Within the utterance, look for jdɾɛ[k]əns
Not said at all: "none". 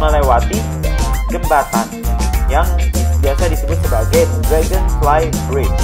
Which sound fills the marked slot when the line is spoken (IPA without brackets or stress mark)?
ɡ